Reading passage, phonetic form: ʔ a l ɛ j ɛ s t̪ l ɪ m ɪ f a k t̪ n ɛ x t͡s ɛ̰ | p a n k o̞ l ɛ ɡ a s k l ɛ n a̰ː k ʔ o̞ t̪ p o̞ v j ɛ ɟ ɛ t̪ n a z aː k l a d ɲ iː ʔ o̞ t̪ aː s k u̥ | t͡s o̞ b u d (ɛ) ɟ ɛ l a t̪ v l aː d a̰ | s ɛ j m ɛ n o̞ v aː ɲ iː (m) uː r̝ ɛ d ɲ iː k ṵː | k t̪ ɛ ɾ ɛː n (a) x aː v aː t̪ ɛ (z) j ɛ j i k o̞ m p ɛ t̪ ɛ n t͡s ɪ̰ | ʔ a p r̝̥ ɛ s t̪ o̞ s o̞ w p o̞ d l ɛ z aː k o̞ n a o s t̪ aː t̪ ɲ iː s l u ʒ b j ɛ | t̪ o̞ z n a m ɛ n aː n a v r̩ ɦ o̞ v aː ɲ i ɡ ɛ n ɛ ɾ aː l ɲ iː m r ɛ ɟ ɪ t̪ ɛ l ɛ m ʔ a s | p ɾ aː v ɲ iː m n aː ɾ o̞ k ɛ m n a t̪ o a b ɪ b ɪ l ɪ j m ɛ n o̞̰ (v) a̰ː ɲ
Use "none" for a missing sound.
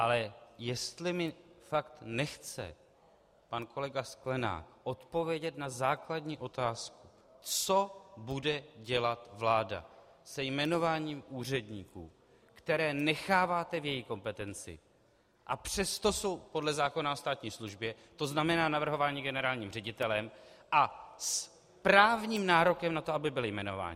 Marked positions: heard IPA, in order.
ɛ, m, ɛ, v, v

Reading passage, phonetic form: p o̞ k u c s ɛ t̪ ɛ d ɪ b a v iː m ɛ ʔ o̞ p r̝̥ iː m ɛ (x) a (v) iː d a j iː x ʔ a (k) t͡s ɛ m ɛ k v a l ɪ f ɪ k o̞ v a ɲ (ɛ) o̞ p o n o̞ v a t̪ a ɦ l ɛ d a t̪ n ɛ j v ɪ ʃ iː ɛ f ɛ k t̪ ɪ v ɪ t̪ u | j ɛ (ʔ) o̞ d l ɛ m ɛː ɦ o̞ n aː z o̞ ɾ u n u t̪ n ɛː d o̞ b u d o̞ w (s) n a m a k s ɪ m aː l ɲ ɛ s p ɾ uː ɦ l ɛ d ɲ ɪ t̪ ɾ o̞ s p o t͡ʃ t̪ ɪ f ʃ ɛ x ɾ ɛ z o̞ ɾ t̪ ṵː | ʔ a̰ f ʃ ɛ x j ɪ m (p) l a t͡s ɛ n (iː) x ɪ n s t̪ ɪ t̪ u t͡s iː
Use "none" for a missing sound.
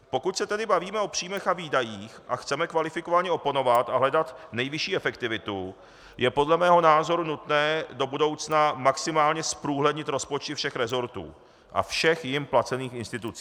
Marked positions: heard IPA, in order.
x, v, x, ɛ, p, t͡s, p, iː

